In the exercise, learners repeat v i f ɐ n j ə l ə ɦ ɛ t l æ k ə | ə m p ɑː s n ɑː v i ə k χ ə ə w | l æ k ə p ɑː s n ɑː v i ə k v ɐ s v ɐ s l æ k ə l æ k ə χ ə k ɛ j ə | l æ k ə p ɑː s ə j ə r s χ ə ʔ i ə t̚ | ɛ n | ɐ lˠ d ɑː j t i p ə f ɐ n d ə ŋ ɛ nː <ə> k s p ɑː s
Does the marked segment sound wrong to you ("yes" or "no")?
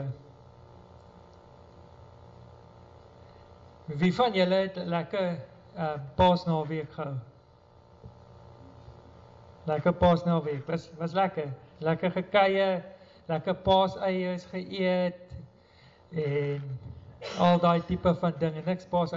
no